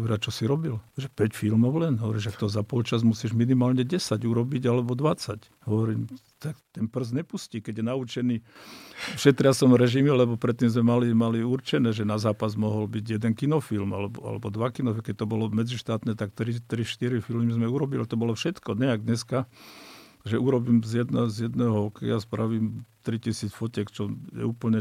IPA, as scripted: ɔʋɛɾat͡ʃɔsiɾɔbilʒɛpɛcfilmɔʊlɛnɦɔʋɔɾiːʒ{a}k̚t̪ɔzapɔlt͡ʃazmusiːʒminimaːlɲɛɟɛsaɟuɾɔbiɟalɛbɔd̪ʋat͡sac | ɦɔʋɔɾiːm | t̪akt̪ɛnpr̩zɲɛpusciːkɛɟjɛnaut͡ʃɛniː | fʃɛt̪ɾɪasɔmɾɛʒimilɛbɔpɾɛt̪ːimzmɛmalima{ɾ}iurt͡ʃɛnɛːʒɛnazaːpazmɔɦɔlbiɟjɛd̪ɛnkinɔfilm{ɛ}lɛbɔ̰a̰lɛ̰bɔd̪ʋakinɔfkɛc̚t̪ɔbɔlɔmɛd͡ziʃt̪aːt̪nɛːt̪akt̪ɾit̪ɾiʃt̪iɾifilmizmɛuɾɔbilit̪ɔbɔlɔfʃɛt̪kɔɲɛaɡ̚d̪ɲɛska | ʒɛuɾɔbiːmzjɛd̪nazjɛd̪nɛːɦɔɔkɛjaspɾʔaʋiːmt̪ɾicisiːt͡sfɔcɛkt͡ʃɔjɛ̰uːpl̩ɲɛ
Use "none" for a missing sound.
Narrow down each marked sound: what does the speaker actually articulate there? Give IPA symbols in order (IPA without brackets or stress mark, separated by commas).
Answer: a, l, a